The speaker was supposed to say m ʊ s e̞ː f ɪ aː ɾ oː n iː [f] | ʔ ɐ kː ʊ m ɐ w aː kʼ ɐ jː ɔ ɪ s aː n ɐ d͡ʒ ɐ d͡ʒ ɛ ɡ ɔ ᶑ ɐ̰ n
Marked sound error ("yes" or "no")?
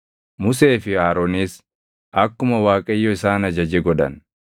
yes